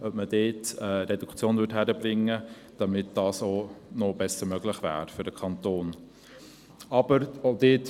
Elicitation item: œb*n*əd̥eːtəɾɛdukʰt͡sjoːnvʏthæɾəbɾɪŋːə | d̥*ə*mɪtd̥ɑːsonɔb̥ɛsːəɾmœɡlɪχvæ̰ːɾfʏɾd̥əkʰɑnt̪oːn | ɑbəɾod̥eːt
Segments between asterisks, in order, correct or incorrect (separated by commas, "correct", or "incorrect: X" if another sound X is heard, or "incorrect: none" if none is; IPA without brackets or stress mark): incorrect: m, incorrect: ɑ